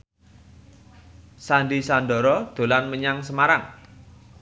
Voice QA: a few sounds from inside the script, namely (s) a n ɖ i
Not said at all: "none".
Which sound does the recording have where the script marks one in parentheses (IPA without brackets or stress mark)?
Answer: s